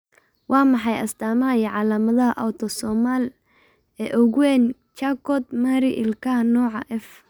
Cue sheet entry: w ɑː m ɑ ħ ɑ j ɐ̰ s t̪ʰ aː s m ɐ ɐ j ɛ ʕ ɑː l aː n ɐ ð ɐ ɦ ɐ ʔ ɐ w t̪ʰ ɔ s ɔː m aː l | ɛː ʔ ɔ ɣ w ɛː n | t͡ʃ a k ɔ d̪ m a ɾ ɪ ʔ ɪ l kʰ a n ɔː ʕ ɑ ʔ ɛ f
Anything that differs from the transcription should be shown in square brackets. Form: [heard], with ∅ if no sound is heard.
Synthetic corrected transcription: w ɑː m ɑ ħ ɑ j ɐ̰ s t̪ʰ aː [∅] m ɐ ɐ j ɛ ʕ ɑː l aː [m] ɐ ð ɐ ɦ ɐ ʔ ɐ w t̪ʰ ɔ s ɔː m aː l | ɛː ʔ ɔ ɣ w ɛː n | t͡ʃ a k ɔ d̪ m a ɾ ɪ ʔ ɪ l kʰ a n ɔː ʕ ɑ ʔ ɛ f